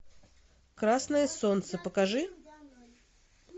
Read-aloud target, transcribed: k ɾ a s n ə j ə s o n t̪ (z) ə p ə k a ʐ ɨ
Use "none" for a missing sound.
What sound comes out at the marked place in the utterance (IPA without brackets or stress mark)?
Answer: s